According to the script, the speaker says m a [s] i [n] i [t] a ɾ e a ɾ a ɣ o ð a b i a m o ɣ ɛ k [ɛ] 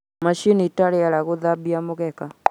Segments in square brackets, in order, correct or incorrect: incorrect, correct, correct, incorrect

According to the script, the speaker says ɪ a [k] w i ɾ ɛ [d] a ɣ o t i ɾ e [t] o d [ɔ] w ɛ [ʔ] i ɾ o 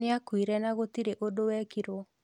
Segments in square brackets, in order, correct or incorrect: correct, incorrect, incorrect, incorrect, incorrect

